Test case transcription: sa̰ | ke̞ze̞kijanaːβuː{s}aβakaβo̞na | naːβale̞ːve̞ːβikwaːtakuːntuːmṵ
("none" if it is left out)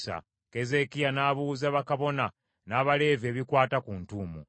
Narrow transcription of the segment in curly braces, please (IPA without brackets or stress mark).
z